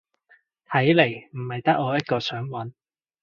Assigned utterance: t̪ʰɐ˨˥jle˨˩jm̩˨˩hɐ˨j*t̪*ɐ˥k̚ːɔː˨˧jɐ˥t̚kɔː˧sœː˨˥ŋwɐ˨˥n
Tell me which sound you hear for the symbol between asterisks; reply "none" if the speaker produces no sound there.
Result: t̪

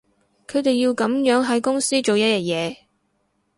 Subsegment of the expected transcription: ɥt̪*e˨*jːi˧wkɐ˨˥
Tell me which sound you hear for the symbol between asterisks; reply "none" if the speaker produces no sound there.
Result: e˨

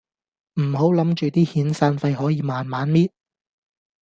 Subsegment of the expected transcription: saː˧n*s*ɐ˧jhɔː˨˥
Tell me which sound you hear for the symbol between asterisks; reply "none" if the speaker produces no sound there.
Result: f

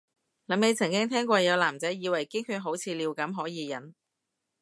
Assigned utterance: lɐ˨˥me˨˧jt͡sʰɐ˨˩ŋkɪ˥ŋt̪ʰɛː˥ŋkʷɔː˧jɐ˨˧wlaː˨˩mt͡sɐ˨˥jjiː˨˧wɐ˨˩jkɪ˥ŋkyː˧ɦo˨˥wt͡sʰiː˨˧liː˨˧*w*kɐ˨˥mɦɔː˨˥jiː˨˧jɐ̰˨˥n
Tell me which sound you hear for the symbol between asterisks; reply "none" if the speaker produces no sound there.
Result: w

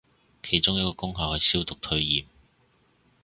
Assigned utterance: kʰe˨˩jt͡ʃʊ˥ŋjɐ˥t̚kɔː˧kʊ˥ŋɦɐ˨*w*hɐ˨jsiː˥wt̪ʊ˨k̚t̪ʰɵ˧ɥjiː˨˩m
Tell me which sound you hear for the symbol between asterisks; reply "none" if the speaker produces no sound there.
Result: w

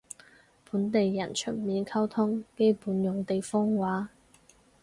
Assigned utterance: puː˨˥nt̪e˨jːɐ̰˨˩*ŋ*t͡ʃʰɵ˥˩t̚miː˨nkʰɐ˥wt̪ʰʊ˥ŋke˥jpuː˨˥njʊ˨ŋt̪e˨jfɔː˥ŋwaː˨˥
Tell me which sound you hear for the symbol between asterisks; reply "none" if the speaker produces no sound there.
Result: n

